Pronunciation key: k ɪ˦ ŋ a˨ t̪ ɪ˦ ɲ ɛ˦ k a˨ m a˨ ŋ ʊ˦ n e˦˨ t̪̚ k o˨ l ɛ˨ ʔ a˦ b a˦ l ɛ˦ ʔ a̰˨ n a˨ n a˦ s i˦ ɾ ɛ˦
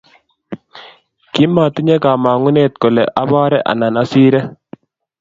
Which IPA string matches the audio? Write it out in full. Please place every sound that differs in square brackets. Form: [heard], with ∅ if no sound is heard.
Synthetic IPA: k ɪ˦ [m] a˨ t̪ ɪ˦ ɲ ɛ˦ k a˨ m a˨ ŋ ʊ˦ n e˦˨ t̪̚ k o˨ l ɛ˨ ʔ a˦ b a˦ [ɾ] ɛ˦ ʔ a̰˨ n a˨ n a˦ s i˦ ɾ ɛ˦